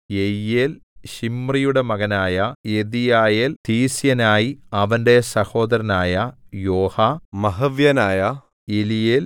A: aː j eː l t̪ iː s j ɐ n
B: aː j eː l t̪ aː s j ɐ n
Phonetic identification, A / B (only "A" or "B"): A